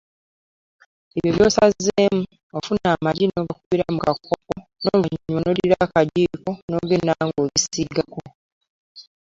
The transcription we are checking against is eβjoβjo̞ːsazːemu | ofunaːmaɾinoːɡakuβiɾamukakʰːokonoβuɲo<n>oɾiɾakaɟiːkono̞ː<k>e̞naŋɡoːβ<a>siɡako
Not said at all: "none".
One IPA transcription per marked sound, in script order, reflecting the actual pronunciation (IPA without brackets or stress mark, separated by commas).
n, ɡ, i